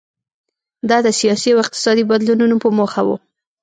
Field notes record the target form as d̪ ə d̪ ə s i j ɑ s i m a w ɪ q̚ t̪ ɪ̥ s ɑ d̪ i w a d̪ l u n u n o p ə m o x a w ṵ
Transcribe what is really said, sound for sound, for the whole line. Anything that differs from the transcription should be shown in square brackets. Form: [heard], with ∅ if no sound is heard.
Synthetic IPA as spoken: d̪ [ɑ] d̪ ə s i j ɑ s i [∅] a w ɪ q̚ t̪ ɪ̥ s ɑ d̪ i [b] a d̪ l u n u n o p ə m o x a w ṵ